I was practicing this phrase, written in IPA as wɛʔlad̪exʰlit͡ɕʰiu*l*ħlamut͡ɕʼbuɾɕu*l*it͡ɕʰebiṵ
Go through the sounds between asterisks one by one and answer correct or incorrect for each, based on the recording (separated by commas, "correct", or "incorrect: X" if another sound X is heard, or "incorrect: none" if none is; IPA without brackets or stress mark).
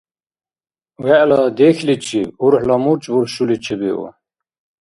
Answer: incorrect: ɾ, correct